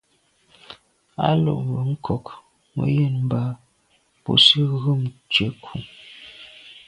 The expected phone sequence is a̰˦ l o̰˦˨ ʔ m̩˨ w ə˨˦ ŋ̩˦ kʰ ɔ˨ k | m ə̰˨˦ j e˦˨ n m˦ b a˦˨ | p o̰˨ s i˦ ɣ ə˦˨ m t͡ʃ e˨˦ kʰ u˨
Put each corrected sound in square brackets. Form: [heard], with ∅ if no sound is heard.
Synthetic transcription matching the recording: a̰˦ l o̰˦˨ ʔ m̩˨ [b] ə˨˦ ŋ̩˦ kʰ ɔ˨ k | m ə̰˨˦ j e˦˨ n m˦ b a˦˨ | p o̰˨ s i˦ ɣ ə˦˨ m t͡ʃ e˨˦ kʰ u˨